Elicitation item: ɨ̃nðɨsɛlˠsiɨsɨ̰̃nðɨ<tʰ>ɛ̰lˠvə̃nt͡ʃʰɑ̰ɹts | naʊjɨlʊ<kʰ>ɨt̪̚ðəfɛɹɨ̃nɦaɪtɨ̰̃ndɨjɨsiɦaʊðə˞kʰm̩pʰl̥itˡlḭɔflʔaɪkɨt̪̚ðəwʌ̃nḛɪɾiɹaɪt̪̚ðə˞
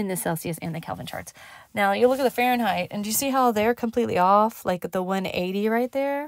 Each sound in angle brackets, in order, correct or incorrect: incorrect: kʰ, incorrect: k

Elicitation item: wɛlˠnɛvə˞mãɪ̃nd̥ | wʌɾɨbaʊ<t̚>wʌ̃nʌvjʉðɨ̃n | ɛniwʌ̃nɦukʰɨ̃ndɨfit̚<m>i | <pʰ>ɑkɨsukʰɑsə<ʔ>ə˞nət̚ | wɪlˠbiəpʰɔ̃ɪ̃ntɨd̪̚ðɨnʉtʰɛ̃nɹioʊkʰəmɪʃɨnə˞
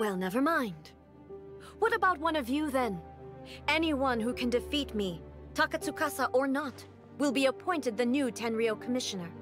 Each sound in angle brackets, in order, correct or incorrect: correct, correct, incorrect: tʰ, correct

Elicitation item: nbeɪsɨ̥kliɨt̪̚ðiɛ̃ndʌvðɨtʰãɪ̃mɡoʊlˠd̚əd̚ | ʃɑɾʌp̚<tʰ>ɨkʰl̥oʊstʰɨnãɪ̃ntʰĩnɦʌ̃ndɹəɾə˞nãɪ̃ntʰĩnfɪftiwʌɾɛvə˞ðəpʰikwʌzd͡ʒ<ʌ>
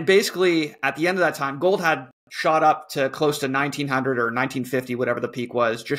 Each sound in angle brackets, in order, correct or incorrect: correct, correct

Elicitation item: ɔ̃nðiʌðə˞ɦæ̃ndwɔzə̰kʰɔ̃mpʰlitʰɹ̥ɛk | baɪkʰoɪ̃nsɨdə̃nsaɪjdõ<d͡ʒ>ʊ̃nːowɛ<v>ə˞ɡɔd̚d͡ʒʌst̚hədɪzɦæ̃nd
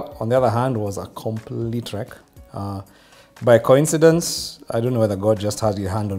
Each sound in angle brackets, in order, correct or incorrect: incorrect: none, incorrect: ð

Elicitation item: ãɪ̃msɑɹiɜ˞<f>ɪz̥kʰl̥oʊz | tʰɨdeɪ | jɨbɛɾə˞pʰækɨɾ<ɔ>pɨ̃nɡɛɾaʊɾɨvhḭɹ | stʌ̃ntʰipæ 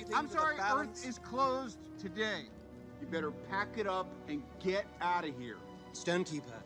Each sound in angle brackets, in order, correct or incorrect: incorrect: θ, incorrect: ʌ

